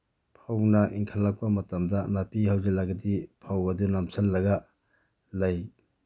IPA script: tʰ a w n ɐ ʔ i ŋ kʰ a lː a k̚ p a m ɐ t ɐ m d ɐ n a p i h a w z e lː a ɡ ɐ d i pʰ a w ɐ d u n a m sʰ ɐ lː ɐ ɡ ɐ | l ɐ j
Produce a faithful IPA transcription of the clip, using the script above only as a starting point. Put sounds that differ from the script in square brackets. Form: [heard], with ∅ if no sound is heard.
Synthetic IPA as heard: [pʰ] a w n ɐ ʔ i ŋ kʰ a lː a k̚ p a m ɐ t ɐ m d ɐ n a p i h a w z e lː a ɡ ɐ d i pʰ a w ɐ d u n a m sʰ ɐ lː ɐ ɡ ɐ | l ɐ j